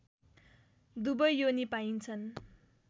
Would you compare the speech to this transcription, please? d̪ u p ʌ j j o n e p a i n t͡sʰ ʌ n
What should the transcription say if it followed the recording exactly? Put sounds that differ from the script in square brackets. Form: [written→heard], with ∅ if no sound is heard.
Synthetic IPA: d̪ u [p→b] ʌ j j o n [e→i] p a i n t͡sʰ ʌ n